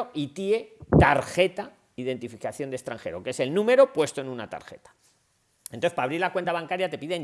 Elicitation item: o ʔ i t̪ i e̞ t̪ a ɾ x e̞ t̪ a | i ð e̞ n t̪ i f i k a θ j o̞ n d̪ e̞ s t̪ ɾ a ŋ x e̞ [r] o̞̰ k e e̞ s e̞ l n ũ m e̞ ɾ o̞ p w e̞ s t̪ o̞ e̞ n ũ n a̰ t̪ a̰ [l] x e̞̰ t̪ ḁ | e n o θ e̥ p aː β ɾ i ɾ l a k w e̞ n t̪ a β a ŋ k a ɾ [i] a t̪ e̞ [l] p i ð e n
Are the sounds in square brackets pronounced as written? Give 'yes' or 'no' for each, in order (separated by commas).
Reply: no, no, no, no